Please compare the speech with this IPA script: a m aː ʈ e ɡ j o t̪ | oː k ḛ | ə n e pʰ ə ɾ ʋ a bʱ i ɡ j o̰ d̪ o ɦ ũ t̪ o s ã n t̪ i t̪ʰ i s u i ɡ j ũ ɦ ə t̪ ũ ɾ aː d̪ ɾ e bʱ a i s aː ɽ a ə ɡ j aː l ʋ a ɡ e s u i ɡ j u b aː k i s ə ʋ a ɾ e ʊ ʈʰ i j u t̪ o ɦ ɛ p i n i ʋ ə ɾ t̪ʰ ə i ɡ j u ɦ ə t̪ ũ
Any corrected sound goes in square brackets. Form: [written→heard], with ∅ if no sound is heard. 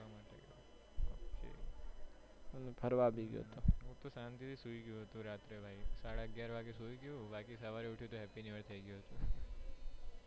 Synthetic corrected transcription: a m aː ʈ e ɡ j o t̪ | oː k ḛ | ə n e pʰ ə ɾ ʋ a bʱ i ɡ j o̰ [d̪→t̪] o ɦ ũ t̪ o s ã n t̪ i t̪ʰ i s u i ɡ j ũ ɦ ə t̪ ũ ɾ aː [d̪→t̪] ɾ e bʱ a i s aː ɽ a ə ɡ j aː [l→ɾ] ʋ a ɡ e s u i ɡ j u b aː k i s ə ʋ a ɾ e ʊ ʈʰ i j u t̪ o ɦ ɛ p i n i ʋ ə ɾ t̪ʰ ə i ɡ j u ɦ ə t̪ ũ